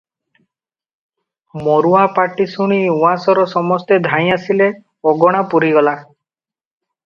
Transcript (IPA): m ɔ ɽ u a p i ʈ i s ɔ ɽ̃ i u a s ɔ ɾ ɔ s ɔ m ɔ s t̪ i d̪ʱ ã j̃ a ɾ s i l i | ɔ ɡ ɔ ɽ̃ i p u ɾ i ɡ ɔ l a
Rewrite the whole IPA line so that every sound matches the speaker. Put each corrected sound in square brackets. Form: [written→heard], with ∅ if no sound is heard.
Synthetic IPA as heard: m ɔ [ɽ→ɾ] u a p [i→a] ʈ i s [ɔ→u] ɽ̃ i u a s ɔ ɾ ɔ s ɔ m ɔ s t̪ [i→e] d̪ʱ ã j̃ a [ɾ→∅] s i l [i→e] | ɔ ɡ ɔ ɽ̃ [i→a] p u ɾ i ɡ ɔ l a